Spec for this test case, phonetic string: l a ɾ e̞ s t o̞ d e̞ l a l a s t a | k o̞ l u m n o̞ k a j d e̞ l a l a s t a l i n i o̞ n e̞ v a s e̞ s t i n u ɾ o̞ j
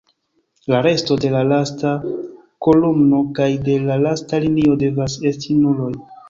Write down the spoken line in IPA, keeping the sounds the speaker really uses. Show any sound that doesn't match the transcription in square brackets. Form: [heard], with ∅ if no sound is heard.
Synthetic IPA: l a ɾ e̞ s t o̞ d e̞ l a l a s t a | k o̞ l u m n o̞ k a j d e̞ l a l a s t a l i n i o̞ [d] e̞ v a s e̞ s t i n u [l] o̞ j